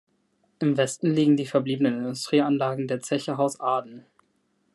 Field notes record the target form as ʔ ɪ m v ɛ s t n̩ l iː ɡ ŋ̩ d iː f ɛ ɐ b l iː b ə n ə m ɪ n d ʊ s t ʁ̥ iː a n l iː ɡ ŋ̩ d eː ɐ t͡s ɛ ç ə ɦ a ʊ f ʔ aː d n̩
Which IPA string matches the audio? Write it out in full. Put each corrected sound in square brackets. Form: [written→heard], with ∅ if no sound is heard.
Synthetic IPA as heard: ʔ ɪ m v ɛ s t n̩ l iː ɡ ŋ̩ d iː f ɛ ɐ b l iː b ə n ə [m→n] ɪ n d ʊ s t ʁ̥ iː a n l [iː→aː] ɡ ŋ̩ d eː ɐ t͡s ɛ ç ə ɦ a ʊ [f→s] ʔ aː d n̩